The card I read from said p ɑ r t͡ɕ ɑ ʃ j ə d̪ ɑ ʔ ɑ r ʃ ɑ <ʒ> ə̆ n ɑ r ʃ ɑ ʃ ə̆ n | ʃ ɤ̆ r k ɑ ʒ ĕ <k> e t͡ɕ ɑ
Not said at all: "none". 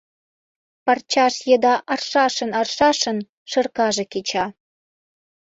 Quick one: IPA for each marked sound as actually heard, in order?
ʃ, k

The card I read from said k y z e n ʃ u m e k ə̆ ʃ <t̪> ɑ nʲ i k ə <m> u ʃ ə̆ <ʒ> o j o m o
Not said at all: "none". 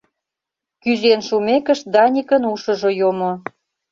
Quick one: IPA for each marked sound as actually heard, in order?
d̪, n, ʒ

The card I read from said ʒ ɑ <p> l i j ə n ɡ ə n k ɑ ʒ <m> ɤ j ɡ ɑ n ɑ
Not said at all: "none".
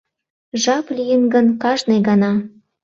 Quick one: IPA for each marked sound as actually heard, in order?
p, n

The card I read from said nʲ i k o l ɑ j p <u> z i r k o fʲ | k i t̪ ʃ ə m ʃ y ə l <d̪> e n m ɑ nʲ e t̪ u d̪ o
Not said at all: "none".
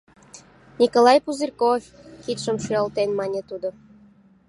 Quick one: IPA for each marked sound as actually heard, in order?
u, t̪

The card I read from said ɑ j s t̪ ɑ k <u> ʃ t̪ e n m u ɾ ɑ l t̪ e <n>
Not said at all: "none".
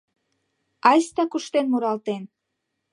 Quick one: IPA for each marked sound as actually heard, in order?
u, n

